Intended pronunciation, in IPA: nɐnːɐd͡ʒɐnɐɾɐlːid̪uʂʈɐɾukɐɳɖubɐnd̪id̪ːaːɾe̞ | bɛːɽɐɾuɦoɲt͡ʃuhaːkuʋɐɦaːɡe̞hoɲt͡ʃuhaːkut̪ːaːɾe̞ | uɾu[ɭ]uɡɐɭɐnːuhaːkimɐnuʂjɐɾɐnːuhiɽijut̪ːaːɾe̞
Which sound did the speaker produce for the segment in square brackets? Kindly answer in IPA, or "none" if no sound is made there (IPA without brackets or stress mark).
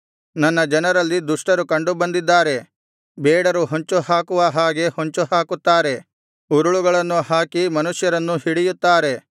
ɭ